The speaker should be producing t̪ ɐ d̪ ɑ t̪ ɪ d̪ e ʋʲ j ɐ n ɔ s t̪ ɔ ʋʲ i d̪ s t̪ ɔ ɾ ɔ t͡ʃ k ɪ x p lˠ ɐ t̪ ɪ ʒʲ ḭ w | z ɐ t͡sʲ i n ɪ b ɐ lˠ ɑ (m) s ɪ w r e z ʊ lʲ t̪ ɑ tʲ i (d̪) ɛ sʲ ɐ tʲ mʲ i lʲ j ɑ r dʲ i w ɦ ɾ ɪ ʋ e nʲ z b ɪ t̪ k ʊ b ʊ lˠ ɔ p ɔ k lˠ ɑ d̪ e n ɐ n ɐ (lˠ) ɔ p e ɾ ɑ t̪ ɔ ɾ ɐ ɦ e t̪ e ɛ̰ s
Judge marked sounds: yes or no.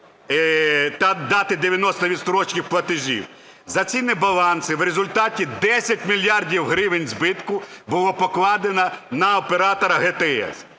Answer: no, yes, no

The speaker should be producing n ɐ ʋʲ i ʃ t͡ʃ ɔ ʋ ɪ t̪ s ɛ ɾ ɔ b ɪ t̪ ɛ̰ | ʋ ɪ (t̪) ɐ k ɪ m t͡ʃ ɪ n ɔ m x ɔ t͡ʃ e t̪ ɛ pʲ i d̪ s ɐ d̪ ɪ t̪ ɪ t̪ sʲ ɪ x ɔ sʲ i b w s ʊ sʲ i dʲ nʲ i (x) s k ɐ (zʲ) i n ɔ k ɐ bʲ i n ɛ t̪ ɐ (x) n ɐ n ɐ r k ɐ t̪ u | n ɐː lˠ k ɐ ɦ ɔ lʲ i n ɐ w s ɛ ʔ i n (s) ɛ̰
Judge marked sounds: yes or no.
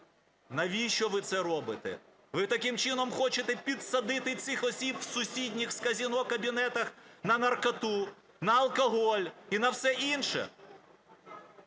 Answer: yes, yes, yes, yes, no

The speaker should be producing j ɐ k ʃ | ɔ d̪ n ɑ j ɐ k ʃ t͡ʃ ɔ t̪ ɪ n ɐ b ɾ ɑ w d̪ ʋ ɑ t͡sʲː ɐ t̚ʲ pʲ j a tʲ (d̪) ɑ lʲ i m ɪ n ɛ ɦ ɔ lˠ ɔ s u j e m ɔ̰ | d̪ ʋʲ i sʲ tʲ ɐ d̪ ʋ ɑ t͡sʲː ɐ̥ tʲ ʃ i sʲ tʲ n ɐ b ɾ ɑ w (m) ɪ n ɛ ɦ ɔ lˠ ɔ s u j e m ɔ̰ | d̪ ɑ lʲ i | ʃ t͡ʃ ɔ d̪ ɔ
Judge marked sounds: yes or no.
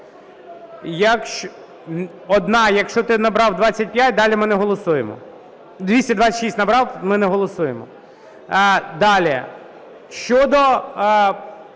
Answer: yes, yes

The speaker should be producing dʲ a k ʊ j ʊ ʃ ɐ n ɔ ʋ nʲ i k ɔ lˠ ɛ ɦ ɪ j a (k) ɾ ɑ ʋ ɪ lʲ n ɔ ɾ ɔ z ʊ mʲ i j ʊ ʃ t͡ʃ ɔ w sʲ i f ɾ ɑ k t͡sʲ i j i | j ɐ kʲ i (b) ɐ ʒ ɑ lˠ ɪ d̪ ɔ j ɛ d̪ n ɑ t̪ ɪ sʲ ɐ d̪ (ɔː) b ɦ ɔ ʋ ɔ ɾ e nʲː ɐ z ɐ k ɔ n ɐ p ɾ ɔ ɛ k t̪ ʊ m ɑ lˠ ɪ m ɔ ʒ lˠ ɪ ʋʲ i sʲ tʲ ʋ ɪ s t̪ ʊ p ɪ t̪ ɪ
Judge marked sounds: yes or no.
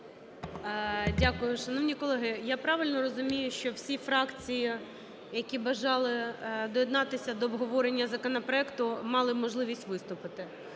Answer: no, yes, yes

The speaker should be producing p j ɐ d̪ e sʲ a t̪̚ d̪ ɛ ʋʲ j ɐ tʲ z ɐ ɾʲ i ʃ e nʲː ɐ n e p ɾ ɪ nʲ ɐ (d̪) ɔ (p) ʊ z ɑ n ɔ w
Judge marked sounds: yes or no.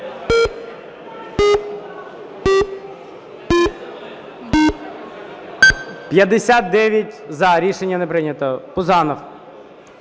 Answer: no, yes

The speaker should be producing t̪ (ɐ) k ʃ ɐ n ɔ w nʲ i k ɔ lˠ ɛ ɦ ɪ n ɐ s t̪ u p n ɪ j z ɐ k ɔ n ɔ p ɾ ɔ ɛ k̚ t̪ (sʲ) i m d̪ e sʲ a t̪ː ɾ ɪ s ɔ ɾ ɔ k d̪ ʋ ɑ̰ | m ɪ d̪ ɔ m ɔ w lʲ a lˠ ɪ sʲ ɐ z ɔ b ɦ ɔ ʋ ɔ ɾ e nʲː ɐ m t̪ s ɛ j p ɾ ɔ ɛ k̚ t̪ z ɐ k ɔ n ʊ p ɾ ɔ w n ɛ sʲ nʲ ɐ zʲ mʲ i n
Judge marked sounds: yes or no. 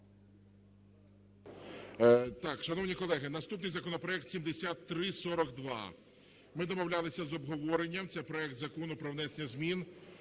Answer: no, yes

